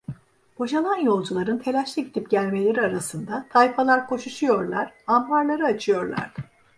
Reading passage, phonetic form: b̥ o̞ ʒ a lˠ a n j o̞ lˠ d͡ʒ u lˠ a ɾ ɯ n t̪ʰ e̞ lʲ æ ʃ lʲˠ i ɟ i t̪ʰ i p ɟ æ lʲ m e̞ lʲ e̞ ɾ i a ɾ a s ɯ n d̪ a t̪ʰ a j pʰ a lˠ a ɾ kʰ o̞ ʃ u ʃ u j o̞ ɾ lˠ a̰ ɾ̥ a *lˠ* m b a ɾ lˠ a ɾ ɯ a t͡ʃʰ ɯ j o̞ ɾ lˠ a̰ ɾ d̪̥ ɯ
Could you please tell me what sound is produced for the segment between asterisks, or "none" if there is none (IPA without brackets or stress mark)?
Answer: none